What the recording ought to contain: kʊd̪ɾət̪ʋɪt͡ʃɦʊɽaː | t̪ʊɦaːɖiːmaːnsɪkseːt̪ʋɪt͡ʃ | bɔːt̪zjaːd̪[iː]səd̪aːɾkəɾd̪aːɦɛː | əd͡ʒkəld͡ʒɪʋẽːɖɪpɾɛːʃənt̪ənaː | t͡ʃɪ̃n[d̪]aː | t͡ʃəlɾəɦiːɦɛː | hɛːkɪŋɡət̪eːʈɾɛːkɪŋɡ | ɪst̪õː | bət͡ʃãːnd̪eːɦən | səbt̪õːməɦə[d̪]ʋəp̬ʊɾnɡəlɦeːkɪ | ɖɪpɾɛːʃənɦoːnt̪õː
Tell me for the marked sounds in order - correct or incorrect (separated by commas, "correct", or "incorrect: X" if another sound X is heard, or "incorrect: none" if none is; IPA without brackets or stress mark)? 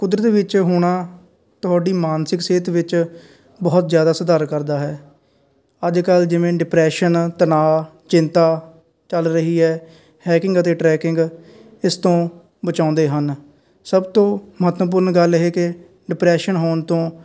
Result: incorrect: aː, incorrect: t̪, incorrect: t̪